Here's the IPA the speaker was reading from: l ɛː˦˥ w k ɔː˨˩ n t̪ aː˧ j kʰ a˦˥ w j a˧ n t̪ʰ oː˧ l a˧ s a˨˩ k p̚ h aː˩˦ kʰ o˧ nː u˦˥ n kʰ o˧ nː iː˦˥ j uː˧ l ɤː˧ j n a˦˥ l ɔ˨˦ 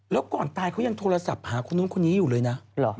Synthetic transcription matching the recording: l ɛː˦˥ w k ɔː˨˩ n t̪ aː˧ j kʰ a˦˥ w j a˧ ŋ t̪ʰ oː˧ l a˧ s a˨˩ p̚ h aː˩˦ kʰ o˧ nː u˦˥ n kʰ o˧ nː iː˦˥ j uː˨˩ l ɤː˧ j n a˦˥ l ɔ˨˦